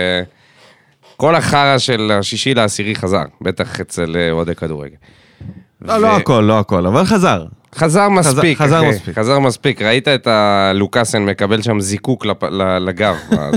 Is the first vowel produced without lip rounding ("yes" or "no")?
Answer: no